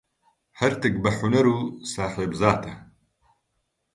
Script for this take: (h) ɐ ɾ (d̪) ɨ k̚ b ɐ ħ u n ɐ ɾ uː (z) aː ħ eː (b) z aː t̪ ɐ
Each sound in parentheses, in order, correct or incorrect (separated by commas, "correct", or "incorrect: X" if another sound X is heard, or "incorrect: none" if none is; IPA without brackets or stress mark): correct, incorrect: t̪, incorrect: s, correct